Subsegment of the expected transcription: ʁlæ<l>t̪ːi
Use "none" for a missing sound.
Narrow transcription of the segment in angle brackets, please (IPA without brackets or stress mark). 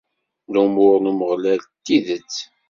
l